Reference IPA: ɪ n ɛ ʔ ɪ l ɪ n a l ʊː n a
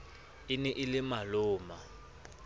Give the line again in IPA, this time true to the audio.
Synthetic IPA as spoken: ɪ n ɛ ʔ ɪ l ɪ m a l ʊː m a